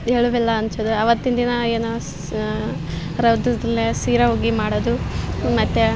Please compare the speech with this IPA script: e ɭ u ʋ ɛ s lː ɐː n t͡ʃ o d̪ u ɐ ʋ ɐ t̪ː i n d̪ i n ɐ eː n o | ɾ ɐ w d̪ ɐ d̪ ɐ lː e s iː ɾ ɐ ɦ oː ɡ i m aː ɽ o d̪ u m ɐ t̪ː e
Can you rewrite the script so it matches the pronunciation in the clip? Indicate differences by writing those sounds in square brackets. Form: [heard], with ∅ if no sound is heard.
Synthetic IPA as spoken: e ɭ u ʋ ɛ [∅] lː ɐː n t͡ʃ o d̪ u ɐ ʋ ɐ t̪ː i n d̪ i n ɐ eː n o | ɾ ɐ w d̪ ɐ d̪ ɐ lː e s iː ɾ ɐ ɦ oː ɡ i m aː ɽ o d̪ u m ɐ t̪ː e